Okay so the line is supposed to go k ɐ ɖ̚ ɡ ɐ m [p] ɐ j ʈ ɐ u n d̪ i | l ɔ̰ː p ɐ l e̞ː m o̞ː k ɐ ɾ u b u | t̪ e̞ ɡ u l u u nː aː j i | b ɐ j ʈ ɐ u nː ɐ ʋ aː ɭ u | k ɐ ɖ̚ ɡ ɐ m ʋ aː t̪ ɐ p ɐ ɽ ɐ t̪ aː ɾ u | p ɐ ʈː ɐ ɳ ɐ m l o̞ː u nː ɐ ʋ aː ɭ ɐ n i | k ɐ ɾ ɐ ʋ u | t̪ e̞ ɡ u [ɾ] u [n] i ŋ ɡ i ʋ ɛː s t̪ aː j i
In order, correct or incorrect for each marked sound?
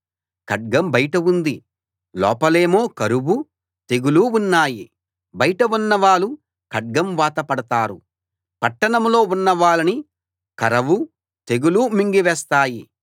incorrect: b, incorrect: l, incorrect: m

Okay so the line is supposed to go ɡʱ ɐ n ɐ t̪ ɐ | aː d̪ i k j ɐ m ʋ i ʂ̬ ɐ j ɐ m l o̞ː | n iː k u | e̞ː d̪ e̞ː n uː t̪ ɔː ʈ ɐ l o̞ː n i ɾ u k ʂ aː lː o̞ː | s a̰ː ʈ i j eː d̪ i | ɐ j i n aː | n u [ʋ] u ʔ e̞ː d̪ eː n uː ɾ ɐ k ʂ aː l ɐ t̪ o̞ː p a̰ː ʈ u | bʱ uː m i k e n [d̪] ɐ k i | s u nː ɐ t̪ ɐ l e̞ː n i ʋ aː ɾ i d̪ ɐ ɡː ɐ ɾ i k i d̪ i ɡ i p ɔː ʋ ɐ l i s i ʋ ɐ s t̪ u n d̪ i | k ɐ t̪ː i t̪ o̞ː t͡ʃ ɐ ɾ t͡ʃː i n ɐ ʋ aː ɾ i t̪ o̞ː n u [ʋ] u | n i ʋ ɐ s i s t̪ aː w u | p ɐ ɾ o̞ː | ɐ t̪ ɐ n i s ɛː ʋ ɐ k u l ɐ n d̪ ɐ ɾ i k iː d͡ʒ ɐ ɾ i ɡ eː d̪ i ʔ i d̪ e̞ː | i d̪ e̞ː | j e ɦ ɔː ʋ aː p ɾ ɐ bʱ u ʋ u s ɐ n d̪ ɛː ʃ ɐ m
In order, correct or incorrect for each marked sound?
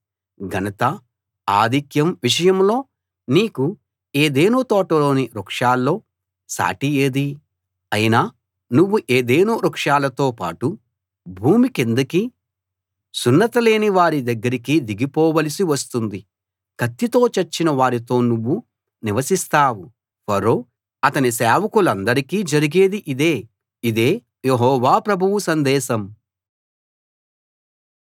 incorrect: ʋː, correct, incorrect: ʋː

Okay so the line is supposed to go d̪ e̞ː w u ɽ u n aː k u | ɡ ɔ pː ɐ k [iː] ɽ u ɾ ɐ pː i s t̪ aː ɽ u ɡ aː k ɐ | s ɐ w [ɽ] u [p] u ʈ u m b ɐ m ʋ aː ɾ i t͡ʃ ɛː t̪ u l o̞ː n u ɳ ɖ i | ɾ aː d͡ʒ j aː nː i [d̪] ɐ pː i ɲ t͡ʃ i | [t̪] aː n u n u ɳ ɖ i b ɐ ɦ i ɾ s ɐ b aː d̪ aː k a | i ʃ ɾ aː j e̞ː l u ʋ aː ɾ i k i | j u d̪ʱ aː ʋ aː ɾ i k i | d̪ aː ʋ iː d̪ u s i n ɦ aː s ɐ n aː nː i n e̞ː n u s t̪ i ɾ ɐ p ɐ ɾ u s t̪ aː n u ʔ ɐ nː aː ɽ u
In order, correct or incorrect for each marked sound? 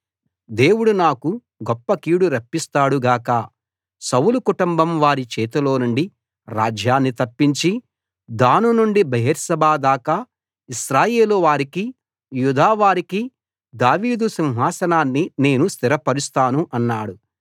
correct, incorrect: l, incorrect: k, incorrect: t̪, incorrect: d̪

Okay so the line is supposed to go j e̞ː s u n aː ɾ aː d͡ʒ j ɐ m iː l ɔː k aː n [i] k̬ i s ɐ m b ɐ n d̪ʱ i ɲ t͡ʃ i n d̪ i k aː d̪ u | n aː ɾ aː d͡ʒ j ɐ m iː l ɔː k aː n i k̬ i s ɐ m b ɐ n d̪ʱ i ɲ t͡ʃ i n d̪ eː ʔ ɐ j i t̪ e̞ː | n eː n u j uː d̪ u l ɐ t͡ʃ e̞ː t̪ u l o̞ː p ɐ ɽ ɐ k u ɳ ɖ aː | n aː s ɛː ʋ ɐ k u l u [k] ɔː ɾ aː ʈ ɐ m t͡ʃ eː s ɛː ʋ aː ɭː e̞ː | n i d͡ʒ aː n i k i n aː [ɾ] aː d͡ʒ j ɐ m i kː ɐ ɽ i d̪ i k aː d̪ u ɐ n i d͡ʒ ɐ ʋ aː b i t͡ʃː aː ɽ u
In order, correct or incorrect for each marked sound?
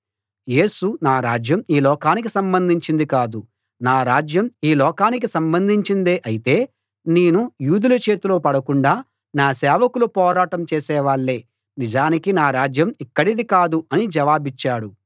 correct, incorrect: p, correct

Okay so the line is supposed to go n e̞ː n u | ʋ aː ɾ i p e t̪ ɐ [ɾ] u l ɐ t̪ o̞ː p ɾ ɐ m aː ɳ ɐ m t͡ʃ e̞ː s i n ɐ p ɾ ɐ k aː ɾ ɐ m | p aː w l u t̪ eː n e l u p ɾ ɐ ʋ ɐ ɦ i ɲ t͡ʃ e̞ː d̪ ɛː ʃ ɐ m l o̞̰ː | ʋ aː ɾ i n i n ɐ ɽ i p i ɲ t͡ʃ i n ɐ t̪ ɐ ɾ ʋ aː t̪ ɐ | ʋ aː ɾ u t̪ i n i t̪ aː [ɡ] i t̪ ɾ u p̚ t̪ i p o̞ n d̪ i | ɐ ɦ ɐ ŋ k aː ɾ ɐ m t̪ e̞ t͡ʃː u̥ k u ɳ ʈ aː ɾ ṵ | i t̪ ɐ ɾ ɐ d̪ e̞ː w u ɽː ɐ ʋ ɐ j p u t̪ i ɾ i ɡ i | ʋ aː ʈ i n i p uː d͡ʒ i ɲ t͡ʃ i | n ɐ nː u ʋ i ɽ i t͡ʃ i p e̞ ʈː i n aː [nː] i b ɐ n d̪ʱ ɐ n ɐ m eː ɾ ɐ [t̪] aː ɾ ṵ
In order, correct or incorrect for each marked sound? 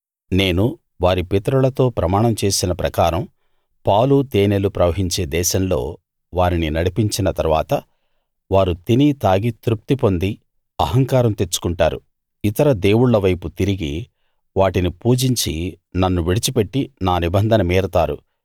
correct, correct, incorrect: n, correct

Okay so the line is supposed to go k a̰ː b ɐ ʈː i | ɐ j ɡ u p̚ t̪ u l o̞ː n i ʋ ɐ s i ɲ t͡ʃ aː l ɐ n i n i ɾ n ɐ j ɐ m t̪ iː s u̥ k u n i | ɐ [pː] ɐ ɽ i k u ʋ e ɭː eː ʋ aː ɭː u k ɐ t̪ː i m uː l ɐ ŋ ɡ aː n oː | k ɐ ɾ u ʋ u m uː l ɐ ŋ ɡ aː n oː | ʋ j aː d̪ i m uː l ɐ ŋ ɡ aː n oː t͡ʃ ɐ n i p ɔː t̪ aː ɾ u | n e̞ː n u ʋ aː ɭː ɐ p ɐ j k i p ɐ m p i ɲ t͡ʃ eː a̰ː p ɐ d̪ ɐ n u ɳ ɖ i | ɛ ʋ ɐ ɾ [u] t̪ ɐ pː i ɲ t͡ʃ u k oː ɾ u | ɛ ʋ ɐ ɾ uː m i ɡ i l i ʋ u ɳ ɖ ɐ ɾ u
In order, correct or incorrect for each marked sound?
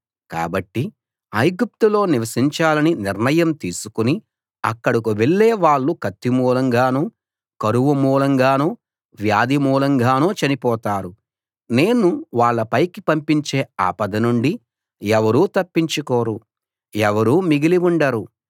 incorrect: kː, incorrect: uː

